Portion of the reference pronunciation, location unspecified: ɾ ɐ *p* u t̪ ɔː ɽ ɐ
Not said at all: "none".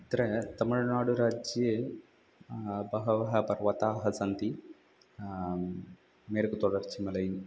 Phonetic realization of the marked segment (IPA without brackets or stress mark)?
k